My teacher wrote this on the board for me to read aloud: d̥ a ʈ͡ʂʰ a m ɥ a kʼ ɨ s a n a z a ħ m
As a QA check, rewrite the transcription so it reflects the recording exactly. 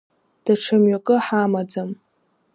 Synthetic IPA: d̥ a ʈ͡ʂʰ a m ɥ a kʼ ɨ ħ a m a d͡z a m